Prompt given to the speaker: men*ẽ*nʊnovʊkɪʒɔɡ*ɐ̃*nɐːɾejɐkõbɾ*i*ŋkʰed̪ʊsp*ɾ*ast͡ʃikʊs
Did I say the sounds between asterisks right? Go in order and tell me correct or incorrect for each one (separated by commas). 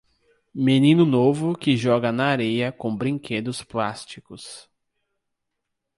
incorrect, incorrect, incorrect, incorrect